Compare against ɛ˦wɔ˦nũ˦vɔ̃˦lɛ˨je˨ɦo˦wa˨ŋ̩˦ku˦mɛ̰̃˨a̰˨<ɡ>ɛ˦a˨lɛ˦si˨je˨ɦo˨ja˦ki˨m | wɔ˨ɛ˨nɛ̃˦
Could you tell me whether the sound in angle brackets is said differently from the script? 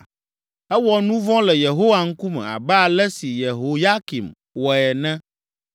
yes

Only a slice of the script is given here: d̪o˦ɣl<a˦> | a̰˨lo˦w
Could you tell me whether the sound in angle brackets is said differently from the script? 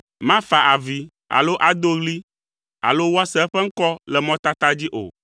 yes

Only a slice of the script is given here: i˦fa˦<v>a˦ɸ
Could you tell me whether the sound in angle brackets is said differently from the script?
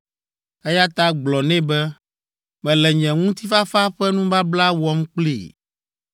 yes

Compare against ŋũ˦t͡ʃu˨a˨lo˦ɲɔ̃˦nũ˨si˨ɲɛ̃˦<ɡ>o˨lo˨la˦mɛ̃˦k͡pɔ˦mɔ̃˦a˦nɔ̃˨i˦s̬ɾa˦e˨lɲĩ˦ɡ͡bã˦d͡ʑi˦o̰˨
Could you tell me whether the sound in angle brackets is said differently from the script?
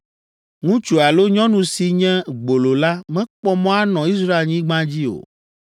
yes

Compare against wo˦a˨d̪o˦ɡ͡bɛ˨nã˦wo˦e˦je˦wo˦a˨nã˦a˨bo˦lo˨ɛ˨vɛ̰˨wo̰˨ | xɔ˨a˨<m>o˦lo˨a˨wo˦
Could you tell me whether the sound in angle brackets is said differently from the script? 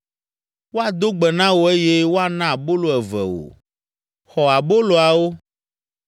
yes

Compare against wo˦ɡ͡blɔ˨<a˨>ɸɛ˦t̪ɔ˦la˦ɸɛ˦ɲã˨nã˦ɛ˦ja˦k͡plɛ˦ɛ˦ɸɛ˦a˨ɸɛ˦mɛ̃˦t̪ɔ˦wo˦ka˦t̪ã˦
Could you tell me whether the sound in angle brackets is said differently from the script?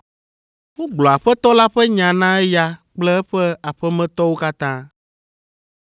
no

